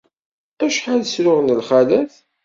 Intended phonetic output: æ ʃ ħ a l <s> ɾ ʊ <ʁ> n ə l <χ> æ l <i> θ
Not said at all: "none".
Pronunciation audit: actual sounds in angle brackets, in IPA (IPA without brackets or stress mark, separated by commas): s, ʁ, χ, æ